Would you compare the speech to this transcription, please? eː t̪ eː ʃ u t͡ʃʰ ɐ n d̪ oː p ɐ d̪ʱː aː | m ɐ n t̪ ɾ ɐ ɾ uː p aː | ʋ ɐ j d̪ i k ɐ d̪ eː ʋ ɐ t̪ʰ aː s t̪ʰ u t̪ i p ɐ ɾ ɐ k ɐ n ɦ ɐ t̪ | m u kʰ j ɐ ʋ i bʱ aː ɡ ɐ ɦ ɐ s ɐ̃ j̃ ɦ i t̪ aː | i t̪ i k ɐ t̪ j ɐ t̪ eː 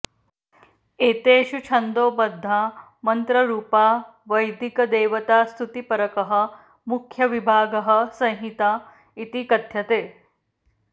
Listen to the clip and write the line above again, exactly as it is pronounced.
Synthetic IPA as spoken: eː t̪ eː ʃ u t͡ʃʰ ɐ n d̪ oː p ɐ d̪ʱː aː | m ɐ n t̪ ɾ ɐ ɾ uː p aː | ʋ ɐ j d̪ i k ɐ d̪ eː ʋ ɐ t̪ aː s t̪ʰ u t̪ i p ɐ ɾ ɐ k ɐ ɦ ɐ | m u kʰ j ɐ ʋ i bʱ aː ɡ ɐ ɦ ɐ s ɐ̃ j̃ ɦ i t̪ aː | i t̪ i k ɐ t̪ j ɐ t̪ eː